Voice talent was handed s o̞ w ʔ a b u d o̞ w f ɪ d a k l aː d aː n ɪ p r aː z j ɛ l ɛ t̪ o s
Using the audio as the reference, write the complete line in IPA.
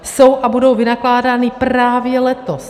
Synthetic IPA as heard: s o̞ w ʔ a b u d o̞ w v ɪ n a k l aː d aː n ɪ p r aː v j ɛ l ɛ t̪ o s